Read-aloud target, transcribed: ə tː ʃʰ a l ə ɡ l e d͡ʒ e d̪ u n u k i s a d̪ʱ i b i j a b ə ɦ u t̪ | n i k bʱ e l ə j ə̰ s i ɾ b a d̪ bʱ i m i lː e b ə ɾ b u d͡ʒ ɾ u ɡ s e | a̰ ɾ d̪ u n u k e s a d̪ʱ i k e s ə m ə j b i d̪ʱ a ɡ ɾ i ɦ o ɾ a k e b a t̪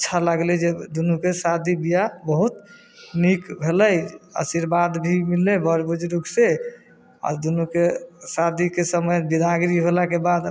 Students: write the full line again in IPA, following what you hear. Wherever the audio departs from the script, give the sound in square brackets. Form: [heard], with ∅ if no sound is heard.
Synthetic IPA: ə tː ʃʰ a l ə ɡ l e d͡ʒ e d̪ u n u k [e] s a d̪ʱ i b i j a b ə ɦ u t̪ | n i k bʱ e l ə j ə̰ s i ɾ b a d̪ bʱ i m i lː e b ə ɾ b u d͡ʒ ɾ u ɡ s e | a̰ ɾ d̪ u n u k e s a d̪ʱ i k e s ə m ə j b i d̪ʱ a ɡ ɾ i ɦ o [l] a k e b a [d̪]